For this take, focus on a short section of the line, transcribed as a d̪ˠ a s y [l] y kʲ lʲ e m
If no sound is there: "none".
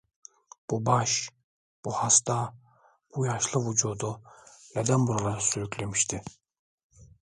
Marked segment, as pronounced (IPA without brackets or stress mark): ɾ